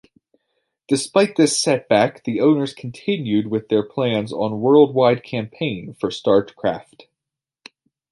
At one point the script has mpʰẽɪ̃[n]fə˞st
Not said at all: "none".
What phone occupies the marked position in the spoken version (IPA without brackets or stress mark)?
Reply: n